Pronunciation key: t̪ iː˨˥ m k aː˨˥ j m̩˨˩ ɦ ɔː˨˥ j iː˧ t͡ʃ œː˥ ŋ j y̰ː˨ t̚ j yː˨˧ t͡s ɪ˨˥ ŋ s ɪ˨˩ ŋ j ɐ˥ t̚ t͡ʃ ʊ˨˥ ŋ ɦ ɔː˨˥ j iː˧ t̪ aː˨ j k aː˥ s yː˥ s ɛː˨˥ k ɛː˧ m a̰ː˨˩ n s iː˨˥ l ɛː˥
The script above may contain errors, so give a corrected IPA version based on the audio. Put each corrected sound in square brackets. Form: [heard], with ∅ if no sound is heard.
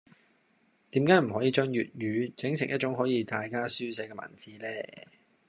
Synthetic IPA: t̪ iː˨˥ m k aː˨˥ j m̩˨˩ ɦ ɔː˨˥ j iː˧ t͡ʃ œː˥ ŋ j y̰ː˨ t̚ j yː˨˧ t͡s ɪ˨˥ ŋ s ɪ˨˩ ŋ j ɐ˥ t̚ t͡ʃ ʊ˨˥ ŋ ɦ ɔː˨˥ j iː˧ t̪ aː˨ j k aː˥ s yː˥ s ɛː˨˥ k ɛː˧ m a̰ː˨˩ n [t͡s] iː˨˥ l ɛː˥